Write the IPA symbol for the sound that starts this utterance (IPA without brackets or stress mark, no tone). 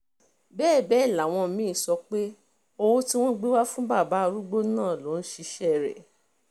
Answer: b